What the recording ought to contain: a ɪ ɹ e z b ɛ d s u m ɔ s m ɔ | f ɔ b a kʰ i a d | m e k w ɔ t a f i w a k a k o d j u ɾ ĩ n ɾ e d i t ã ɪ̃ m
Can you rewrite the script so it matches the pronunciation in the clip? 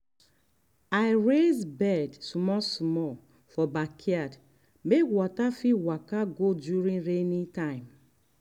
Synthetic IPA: a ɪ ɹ e z b ɛ d s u m ɔ s m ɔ | f ɔ b a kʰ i a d | m e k w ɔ t a f i w a k a ɡ o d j u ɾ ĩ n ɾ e n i t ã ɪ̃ m